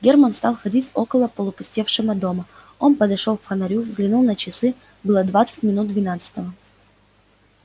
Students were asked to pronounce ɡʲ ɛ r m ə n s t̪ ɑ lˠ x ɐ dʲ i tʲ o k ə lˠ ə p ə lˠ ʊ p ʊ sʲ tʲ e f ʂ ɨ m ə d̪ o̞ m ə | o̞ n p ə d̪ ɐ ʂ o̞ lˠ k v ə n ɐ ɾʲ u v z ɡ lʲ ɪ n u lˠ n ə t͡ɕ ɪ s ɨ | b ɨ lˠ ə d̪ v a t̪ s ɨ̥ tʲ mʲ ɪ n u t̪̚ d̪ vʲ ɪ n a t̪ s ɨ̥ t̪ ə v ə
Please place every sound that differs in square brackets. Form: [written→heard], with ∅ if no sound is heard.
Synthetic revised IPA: ɡʲ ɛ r m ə n s t̪ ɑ lˠ x ɐ dʲ i tʲ o k ə lˠ ə p ə lˠ ʊ p ʊ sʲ tʲ e f ʂ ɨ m ə d̪ o̞ m ə | o̞ n p ə d̪ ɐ ʂ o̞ lˠ k [v→f] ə n ɐ ɾʲ u v z ɡ lʲ ɪ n u lˠ n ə t͡ɕ ɪ s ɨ | b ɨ lˠ ə d̪ v a t̪ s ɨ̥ tʲ mʲ ɪ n u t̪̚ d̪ vʲ ɪ n a t̪ s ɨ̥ t̪ ə v ə